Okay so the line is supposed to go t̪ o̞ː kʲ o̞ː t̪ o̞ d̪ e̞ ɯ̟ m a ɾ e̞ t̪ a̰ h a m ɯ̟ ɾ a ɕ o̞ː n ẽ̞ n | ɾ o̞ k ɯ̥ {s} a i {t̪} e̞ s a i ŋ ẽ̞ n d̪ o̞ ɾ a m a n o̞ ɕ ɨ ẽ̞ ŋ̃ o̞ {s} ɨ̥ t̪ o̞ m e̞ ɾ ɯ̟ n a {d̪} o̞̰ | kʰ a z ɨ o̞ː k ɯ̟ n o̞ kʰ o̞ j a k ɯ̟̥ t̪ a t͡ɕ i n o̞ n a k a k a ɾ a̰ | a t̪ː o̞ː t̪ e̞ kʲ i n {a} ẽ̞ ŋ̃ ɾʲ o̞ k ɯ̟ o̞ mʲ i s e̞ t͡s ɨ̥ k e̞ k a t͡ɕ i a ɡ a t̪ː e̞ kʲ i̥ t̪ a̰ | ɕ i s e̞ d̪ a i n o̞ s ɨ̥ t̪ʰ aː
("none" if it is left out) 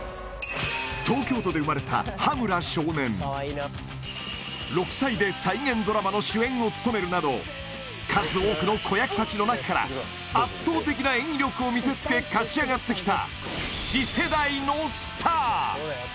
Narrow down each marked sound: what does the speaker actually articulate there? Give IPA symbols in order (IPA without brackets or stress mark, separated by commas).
s, d̪, t͡s, d̪, a